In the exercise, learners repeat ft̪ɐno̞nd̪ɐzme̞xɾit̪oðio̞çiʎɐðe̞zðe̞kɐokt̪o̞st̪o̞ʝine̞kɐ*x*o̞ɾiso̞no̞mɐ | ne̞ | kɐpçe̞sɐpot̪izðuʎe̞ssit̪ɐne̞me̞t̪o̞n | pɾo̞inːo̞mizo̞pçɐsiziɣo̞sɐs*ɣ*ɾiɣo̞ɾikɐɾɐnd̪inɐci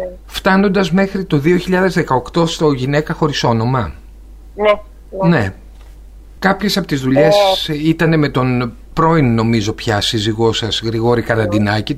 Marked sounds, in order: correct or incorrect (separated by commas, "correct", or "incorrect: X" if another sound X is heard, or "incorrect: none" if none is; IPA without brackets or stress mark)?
correct, correct